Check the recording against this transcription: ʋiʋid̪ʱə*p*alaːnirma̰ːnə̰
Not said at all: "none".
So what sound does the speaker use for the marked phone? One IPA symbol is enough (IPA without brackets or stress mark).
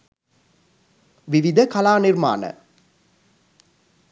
k